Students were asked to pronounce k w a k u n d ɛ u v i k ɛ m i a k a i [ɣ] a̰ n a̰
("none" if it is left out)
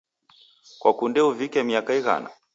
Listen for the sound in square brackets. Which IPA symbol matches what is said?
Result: ɣ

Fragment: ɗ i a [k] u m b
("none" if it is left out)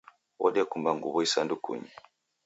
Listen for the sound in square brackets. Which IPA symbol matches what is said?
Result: k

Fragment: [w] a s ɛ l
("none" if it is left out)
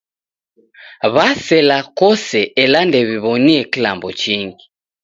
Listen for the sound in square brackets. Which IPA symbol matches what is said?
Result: β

